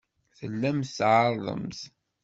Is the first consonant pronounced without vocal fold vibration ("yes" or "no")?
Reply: yes